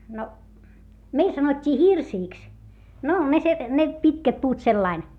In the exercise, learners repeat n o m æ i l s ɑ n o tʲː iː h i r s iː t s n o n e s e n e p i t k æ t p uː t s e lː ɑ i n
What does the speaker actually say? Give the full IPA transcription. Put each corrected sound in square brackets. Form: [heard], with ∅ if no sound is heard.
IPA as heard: n o m [e] i l s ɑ n o tʲː iː h i r s iː [k] s n o n e s e n e p i t k æ t p uː t s e lː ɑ i n